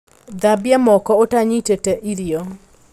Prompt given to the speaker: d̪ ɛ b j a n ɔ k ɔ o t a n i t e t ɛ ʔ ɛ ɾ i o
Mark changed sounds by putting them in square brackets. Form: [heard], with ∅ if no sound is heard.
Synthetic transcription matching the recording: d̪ [a] b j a [m] ɔ k ɔ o t a [ɲ] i t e t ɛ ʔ [i] ɾ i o

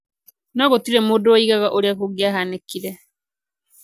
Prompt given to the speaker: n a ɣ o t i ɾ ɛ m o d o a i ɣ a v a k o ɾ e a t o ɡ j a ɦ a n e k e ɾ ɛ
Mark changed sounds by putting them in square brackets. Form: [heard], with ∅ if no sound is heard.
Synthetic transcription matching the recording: n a ɣ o t i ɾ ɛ m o d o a i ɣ a [ɣ] a [ʔ] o ɾ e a [k] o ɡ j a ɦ a n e k [i] ɾ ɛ

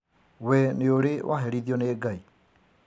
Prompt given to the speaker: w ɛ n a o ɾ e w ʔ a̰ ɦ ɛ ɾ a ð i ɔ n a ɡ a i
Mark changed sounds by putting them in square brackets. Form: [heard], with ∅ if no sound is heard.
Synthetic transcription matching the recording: w ɛ n [e] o ɾ e w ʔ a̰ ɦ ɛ ɾ [i] ð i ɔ n [e] ɡ a i

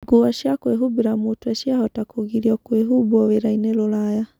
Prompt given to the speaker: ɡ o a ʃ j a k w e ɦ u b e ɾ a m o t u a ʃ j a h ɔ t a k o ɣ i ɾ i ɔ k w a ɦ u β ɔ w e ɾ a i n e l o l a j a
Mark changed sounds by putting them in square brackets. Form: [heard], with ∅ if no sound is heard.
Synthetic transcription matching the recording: ɡ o a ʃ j a k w e ɦ u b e ɾ a m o t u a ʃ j a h ɔ t a k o ɣ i ɾ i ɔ k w [e] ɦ u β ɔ w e ɾ a i n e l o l a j a

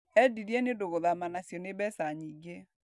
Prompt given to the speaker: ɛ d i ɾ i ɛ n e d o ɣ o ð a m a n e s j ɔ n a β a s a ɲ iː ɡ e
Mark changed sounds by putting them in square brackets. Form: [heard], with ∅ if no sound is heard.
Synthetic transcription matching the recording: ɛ d i ɾ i ɛ n e d o ɣ o ð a m a n [a] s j ɔ n [e] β [ɛ] s a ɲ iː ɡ e

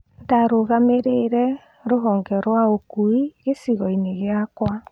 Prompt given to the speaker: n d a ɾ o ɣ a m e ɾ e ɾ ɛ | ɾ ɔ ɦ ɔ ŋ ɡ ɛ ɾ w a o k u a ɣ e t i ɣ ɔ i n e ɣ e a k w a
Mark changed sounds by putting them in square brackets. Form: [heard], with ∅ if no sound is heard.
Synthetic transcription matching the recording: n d a ɾ o ɣ a m e ɾ e ɾ ɛ | ɾ [o] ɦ ɔ ŋ ɡ ɛ ɾ w a o k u [i] ɣ e [s] i ɣ ɔ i n e ɣ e a k w a

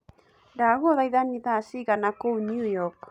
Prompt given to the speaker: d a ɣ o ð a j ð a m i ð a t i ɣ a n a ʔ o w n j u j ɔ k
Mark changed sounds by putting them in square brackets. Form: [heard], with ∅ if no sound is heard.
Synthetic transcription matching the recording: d a ɣ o ð a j ð a [n] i ð a [s] i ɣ a n a [k] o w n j u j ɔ k

